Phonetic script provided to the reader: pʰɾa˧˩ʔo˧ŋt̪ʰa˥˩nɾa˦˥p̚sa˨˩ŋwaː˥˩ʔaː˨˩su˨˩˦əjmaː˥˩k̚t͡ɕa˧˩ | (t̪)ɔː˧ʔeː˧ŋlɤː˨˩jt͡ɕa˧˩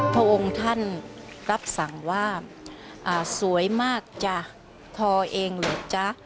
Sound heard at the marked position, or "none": t̪ʰ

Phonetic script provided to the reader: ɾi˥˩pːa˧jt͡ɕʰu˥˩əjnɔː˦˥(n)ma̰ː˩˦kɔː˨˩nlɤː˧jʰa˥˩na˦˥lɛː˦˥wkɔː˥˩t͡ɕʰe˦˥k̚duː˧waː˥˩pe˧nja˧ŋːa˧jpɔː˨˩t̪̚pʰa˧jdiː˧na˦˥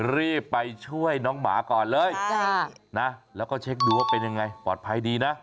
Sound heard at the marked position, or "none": ŋ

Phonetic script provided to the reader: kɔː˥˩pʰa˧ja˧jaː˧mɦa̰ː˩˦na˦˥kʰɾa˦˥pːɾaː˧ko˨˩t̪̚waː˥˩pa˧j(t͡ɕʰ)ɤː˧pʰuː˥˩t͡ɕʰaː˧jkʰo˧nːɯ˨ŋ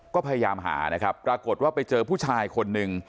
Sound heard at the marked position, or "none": t͡ɕ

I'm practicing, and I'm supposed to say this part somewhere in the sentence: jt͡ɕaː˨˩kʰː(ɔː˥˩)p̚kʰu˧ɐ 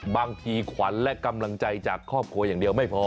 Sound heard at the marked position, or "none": ɔː˥˩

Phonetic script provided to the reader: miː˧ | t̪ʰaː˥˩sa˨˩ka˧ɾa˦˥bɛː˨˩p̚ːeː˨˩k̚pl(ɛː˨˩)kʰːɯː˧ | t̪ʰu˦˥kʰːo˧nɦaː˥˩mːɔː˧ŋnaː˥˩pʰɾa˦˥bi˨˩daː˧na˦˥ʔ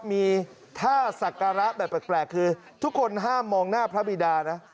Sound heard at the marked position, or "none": ɛː˨˩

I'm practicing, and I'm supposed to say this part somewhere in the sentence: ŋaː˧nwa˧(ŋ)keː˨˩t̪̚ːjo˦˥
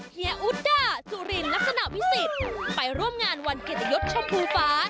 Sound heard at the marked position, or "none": n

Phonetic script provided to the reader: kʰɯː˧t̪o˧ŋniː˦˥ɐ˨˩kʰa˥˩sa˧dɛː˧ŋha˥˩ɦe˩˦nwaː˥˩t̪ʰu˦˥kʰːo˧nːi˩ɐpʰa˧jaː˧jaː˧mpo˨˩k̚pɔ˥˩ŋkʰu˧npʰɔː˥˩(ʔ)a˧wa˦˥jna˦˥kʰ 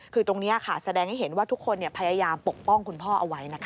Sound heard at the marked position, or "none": ʔ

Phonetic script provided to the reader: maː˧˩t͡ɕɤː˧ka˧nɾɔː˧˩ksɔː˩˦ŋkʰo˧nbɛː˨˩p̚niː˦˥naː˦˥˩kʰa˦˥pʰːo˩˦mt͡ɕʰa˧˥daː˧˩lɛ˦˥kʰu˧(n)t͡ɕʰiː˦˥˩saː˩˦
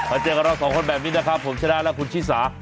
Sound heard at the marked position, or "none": n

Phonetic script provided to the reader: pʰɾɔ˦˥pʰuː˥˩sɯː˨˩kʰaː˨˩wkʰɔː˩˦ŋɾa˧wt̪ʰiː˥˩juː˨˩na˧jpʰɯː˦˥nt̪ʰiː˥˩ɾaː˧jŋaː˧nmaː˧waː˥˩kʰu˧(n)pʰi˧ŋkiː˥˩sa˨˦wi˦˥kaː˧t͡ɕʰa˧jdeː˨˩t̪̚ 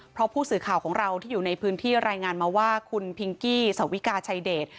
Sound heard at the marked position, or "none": n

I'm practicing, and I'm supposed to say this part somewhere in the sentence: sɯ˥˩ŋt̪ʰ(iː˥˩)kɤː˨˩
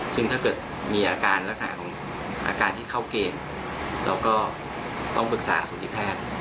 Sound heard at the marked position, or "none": aː˥˩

